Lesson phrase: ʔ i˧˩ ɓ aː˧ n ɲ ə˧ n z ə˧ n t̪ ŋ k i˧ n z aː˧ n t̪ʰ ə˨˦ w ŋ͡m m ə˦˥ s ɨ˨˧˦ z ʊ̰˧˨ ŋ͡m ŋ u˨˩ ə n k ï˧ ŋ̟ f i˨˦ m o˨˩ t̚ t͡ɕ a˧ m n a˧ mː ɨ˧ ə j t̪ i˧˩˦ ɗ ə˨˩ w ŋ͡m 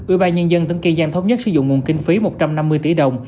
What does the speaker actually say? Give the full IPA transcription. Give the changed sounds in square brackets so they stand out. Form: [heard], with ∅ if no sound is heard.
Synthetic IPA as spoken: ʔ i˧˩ ɓ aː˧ n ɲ ə˧ n z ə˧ n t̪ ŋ k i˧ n z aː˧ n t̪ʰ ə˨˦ w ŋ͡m [ɲ] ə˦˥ s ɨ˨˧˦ z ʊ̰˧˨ ŋ͡m ŋ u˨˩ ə n k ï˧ ŋ̟ f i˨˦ m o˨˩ t̚ t͡ɕ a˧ m n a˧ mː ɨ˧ ə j t̪ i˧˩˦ ɗ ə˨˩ w ŋ͡m

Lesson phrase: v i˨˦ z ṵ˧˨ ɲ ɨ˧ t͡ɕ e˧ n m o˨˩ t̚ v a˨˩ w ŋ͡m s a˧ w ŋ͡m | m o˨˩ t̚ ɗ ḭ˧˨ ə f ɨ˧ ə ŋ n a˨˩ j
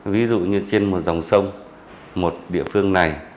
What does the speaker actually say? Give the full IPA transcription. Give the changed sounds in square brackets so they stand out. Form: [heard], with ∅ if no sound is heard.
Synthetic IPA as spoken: v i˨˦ z ṵ˧˨ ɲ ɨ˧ t͡ɕ e˧ n m o˨˩ t̚ [z] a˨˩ w ŋ͡m s [ə˧] w ŋ͡m | m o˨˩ t̚ ɗ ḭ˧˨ ə f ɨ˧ ə ŋ n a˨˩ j

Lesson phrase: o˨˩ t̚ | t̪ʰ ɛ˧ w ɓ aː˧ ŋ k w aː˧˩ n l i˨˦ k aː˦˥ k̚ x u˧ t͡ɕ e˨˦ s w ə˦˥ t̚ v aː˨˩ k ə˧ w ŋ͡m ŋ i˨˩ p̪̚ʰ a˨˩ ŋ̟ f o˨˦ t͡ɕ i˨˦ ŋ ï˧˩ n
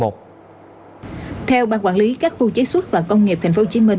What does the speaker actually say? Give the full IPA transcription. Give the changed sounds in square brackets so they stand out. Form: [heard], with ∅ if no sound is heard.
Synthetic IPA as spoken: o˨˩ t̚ | t̪ʰ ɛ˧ w ɓ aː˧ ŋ k w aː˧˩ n l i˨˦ k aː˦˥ k̚ x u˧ t͡ɕ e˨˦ s w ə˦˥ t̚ v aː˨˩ k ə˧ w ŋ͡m ŋ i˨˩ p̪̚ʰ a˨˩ ŋ̟ f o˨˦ t͡ɕ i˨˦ [m] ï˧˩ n

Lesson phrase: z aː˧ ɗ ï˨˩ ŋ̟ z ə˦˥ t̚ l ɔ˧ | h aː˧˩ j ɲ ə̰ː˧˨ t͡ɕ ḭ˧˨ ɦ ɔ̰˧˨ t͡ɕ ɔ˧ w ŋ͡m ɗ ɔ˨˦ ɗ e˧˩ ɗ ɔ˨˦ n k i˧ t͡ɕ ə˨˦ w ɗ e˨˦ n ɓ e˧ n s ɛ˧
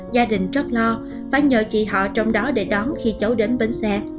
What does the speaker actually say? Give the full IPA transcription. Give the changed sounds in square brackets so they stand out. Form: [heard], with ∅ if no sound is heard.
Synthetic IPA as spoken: z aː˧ ɗ ï˨˩ ŋ̟ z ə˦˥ t̚ l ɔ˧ | [f] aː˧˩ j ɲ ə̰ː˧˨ t͡ɕ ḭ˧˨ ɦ ɔ̰˧˨ t͡ɕ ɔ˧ w ŋ͡m ɗ ɔ˨˦ ɗ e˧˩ ɗ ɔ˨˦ n [x] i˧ t͡ɕ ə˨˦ w ɗ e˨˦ n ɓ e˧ n s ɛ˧

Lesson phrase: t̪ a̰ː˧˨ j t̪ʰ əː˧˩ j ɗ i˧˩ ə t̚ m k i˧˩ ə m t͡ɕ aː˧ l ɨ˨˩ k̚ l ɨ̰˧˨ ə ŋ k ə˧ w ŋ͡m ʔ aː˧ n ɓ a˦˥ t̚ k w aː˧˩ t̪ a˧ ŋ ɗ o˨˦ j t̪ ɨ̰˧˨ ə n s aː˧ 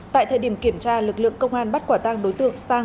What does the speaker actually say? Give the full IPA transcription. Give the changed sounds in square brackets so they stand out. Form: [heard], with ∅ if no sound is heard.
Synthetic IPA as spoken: t̪ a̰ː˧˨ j t̪ʰ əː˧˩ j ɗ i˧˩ ə [∅] m k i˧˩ ə m t͡ɕ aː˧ l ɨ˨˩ k̚ l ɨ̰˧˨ ə ŋ k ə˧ w ŋ͡m ʔ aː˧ n ɓ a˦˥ t̚ k w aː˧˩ t̪ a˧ ŋ ɗ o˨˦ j t̪ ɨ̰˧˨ ə [ŋ] s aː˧

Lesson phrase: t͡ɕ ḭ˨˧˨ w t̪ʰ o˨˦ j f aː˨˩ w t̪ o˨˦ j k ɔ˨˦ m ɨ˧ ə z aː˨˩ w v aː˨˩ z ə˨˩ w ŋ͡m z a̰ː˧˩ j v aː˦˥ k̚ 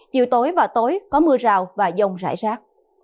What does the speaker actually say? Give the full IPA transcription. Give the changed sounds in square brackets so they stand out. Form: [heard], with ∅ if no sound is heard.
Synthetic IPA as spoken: t͡ɕ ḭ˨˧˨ w [t̪] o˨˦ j [v] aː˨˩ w t̪ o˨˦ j k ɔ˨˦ m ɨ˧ ə z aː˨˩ w v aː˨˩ z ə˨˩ w ŋ͡m z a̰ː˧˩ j [z] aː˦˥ k̚

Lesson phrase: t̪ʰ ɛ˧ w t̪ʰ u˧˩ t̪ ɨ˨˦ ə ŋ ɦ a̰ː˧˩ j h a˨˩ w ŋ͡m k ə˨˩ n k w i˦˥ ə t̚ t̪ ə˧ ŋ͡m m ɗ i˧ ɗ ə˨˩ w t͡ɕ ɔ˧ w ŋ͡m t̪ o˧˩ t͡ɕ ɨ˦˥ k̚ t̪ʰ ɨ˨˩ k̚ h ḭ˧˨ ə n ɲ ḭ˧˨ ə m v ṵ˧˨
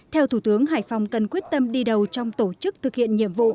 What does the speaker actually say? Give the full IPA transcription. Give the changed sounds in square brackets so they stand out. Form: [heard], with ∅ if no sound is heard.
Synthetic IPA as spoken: t̪ʰ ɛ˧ w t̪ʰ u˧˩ t̪ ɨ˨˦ ə ŋ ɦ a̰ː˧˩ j [f] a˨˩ w ŋ͡m k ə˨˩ n k w i˦˥ ə t̚ t̪ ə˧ [∅] m ɗ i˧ ɗ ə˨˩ w t͡ɕ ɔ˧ w ŋ͡m t̪ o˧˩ t͡ɕ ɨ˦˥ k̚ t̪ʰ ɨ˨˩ k̚ h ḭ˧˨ ə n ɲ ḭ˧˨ ə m v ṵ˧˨

